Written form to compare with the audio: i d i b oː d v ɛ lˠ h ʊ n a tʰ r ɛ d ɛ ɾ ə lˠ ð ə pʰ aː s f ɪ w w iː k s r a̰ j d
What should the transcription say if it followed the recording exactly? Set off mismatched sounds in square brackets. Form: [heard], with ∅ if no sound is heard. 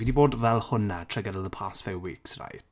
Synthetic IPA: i d i b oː d v ɛ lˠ h ʊ n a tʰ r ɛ [ɡ] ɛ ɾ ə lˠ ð ə pʰ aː s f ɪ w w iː k s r a̰ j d